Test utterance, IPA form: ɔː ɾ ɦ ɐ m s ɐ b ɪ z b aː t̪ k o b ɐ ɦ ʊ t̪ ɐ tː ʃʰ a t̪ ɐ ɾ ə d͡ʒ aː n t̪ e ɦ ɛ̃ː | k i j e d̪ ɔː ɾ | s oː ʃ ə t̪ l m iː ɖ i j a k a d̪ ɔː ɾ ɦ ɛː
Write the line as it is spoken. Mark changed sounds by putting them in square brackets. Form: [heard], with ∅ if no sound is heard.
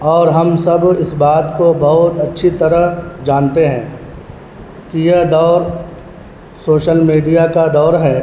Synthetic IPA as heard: ɔː ɾ ɦ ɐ m s ɐ b ɪ [s] b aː t̪ k o b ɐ ɦ ʊ t̪ ɐ tː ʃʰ [i] t̪ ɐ ɾ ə d͡ʒ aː n t̪ e ɦ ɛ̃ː | k i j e d̪ ɔː ɾ | s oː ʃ ə [∅] l m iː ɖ i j a k a d̪ ɔː ɾ ɦ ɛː